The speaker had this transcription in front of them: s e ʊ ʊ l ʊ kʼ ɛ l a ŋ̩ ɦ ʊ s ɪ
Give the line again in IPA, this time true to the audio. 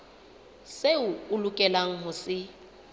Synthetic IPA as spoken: s e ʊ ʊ l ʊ kʼ ɛ l a ŋ̩ ɦ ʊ s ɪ